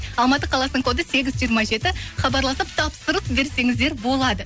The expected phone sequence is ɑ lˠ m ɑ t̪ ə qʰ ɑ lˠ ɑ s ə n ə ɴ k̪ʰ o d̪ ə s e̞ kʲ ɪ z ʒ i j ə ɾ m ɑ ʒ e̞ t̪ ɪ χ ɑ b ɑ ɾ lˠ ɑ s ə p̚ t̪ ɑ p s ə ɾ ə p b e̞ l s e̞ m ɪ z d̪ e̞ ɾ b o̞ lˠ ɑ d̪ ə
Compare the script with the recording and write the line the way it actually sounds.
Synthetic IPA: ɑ lˠ m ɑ t̪ ə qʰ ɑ lˠ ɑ s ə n ə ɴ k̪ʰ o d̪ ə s e̞ ɡʲ ɪ z ʒ i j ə ɾ m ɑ ʒ e̞ t̪ ɪ χ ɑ b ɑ ɾ lˠ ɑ s ə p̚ t̪ʰ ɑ p s ə ɾ ə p b e̞ ɾ s e̞ ŋ ɪ z d̪ e̞ ɾ b o̞ lˠ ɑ d̪ ə